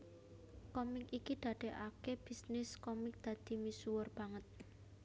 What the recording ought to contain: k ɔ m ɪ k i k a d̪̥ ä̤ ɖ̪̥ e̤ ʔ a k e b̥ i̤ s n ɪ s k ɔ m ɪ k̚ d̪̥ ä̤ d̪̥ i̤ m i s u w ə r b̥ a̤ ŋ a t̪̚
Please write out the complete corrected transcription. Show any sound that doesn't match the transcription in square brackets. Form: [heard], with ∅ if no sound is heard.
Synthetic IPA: k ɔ m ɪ k i k [i] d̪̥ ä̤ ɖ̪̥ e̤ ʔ a k e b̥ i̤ s n ɪ s k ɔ m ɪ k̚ d̪̥ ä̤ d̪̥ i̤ m i s u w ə r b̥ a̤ ŋ [ə] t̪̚